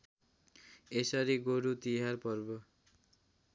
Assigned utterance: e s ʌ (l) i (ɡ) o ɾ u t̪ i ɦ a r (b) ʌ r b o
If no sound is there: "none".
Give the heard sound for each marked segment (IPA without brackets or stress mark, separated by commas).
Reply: ɾ, ɡ, p